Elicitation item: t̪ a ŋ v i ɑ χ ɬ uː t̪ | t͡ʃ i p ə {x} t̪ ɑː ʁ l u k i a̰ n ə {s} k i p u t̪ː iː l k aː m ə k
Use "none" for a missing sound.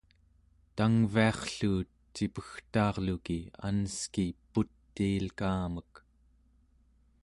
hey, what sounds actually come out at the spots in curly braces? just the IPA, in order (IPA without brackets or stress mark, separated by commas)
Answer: x, s